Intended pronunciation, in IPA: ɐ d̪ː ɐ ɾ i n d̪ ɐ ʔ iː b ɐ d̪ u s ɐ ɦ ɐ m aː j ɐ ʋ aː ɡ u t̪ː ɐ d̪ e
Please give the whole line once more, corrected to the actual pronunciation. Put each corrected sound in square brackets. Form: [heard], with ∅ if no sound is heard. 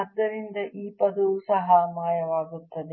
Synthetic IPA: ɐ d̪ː ɐ ɾ i n d̪ ɐ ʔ iː [p] ɐ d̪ u s ɐ ɦ ɐ m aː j ɐ ʋ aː ɡ u t̪ː ɐ d̪ e

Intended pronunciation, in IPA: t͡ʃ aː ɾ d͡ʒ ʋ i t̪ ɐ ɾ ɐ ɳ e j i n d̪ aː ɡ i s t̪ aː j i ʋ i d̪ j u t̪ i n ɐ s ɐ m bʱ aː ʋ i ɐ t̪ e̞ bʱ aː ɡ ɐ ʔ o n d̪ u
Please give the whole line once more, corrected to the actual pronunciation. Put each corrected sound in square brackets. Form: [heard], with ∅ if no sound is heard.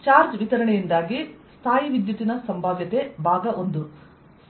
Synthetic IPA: t͡ʃ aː ɾ d͡ʒ ʋ i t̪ ɐ ɾ ɐ ɳ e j i n d̪ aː ɡ i s [t̪ʰ] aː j i ʋ i d̪ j u t̪ i n ɐ s ɐ m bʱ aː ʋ [j] ɐ t̪ e̞ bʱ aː ɡ ɐ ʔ o n d̪ u

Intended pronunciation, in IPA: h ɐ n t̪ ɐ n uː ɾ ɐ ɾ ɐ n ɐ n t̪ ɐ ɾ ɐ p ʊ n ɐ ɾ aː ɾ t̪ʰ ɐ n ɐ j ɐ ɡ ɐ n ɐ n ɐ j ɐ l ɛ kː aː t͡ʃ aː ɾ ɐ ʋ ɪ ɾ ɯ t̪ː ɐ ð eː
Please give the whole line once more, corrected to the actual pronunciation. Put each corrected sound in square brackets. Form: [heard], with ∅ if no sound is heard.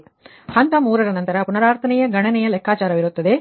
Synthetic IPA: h ɐ n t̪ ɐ [m] uː ɾ ɐ ɾ ɐ n ɐ n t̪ ɐ ɾ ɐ p ʊ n ɐ ɾ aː ɾ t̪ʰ ɐ n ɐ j ɐ ɡ ɐ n ɐ n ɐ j ɐ l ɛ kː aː t͡ʃ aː ɾ ɐ ʋ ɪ ɾ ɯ t̪ː ɐ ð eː

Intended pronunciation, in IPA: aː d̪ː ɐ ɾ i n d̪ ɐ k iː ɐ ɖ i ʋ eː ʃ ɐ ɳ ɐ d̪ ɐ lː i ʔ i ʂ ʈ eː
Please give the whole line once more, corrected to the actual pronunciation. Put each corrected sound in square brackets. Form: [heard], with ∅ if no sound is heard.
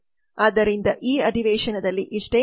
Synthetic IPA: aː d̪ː ɐ ɾ i n d̪ ɐ [ʔ] iː ɐ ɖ i ʋ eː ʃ ɐ [n] ɐ d̪ ɐ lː i ʔ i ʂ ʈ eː

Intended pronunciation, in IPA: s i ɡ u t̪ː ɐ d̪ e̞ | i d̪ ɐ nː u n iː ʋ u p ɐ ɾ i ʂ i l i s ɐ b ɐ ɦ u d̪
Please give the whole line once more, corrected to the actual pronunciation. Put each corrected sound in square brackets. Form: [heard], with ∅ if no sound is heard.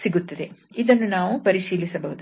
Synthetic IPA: s i ɡ u t̪ː ɐ d̪ e̞ | i d̪ ɐ nː u n [aː] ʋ u p ɐ ɾ i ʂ [iː] l i s ɐ b ɐ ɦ u d̪

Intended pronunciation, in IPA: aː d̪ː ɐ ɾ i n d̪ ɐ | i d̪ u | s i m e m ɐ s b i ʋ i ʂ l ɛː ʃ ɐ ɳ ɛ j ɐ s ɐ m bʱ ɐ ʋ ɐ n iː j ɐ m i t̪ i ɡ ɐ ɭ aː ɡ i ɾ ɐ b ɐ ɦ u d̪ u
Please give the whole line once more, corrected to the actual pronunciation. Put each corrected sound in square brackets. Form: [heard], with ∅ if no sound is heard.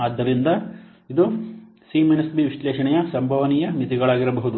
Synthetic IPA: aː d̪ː ɐ ɾ i n d̪ ɐ | i d̪ u | s i m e [n] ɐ s b i ʋ i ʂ l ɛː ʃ ɐ ɳ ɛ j ɐ s ɐ m bʱ ɐ ʋ ɐ n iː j ɐ m i t̪ i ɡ ɐ ɭ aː ɡ i ɾ ɐ b ɐ ɦ u d̪ u

